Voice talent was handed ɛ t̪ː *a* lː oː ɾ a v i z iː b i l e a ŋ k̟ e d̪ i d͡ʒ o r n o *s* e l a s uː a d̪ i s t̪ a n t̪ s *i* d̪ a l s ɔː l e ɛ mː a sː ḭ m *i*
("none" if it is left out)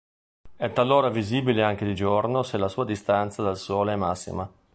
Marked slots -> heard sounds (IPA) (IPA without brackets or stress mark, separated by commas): a, s, a, a